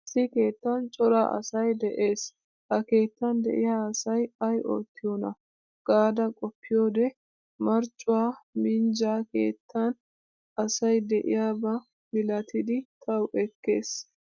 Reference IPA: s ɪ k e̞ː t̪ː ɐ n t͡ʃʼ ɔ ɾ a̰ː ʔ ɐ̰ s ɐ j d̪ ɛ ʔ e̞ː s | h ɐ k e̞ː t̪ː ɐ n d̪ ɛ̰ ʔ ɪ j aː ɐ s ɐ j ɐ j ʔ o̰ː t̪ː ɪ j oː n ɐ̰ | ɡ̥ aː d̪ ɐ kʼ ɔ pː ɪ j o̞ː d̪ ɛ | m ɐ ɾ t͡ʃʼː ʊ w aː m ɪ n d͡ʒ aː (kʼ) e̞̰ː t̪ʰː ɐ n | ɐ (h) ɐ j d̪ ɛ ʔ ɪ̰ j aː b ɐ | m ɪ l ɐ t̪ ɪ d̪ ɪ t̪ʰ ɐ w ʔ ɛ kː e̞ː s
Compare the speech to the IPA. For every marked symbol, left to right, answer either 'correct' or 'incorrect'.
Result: incorrect, incorrect

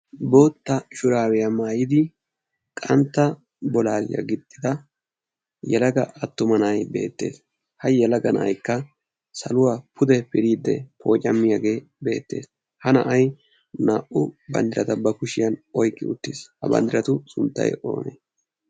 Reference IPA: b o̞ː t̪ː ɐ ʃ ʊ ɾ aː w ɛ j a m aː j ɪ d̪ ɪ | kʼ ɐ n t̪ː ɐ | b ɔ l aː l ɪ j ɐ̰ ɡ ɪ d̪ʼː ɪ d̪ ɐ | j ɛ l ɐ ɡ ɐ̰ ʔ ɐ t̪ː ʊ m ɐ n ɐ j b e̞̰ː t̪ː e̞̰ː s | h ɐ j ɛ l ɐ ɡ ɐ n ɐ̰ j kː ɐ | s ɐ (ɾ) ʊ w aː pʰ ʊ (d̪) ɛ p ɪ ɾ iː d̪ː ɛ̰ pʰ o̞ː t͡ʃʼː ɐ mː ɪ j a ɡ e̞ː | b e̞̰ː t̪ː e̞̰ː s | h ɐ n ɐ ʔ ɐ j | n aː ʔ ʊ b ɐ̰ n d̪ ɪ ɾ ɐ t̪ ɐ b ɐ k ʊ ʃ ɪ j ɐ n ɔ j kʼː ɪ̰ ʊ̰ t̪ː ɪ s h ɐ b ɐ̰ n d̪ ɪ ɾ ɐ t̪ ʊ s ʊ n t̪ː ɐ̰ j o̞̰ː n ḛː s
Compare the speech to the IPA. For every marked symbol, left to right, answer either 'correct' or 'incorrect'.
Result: incorrect, correct

